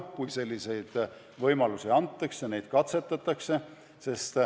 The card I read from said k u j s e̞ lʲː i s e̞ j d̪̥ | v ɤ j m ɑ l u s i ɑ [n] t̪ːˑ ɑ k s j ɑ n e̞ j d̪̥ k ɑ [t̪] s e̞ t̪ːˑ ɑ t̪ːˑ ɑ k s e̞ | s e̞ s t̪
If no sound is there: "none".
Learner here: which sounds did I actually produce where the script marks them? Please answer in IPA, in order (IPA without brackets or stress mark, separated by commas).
n, t̪